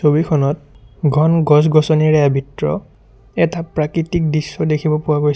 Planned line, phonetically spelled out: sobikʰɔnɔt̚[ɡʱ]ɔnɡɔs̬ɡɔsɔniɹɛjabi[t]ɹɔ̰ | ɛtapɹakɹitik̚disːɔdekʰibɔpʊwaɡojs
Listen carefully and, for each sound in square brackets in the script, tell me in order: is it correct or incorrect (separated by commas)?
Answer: correct, correct